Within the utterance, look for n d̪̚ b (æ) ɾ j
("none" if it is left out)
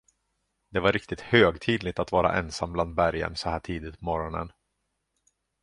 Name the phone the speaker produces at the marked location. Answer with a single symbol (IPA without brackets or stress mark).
æ